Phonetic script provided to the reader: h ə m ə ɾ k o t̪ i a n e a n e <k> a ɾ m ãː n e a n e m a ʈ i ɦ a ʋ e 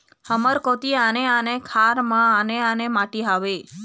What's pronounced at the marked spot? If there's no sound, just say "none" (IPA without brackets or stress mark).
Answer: kʰ